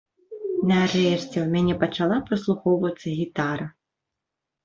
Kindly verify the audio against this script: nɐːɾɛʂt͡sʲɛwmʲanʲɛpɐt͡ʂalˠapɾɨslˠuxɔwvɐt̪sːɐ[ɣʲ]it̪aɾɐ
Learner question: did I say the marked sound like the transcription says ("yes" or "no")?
yes